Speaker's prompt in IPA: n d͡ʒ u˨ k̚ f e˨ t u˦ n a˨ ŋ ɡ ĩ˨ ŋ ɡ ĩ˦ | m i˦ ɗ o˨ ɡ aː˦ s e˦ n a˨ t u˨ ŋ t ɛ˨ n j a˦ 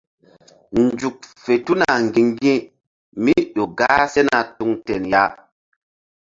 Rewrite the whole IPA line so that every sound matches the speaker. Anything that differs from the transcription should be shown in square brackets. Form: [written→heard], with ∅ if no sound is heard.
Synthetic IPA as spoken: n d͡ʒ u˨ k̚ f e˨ t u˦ n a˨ ŋ ɡ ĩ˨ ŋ ɡ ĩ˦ | m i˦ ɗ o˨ ɡ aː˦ s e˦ n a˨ t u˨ ŋ t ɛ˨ n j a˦